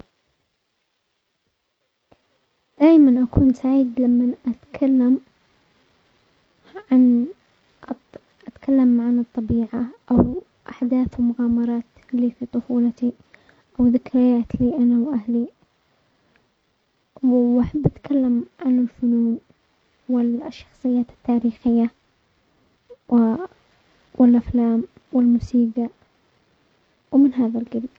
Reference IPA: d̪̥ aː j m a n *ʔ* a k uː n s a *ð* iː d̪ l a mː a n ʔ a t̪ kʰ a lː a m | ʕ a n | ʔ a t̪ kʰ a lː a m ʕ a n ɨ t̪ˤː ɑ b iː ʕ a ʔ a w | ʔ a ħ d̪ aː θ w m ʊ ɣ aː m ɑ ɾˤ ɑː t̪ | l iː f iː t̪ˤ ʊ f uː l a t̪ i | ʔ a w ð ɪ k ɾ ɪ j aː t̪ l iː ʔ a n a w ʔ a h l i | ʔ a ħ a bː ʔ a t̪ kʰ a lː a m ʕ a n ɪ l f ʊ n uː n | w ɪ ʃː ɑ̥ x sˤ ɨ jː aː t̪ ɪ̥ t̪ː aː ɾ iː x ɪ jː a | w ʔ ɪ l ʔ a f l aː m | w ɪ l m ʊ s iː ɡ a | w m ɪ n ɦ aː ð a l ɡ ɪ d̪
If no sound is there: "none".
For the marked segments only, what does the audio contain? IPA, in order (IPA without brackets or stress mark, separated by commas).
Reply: ʔ, ʕ